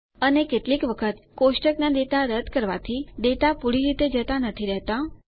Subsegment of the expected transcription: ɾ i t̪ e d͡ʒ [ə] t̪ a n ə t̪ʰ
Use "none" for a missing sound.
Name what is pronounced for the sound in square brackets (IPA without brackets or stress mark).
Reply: ə